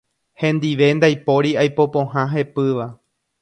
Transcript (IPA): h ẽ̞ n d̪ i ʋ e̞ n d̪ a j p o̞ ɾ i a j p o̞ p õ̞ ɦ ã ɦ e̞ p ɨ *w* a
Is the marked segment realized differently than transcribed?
yes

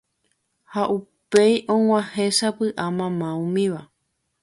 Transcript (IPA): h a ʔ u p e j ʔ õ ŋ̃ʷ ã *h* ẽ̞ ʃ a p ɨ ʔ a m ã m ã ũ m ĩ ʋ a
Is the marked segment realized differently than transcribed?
no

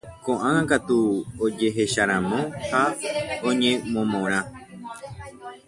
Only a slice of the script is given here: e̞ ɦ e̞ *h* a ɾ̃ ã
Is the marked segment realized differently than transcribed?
yes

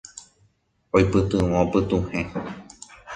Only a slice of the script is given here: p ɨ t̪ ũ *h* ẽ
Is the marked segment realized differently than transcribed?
no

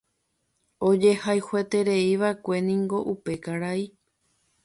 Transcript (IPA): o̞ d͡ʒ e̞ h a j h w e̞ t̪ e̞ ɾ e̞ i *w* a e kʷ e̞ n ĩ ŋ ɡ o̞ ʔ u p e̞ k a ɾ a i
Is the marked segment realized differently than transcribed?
yes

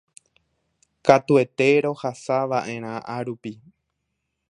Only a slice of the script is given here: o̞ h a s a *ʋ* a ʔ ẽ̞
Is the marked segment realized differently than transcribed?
no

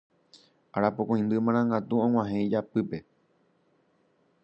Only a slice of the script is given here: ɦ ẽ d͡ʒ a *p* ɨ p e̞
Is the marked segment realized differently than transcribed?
no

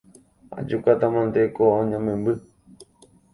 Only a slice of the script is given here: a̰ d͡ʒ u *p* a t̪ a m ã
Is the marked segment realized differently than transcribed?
yes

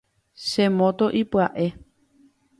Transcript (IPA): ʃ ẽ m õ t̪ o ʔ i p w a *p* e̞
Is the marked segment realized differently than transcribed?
yes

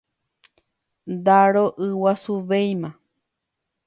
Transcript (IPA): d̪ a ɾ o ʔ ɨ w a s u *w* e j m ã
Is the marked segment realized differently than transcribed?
yes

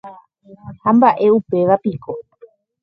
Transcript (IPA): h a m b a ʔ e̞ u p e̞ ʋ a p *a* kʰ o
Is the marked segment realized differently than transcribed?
yes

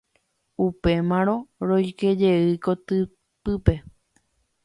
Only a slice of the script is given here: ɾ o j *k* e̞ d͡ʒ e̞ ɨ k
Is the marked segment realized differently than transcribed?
no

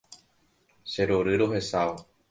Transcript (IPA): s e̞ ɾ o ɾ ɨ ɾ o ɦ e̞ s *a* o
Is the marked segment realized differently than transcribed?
no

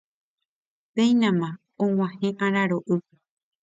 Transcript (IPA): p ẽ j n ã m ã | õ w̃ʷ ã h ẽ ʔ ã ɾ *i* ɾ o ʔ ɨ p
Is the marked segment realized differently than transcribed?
yes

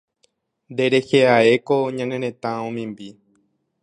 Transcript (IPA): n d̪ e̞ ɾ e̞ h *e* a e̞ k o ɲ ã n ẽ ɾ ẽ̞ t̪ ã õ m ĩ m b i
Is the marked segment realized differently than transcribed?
no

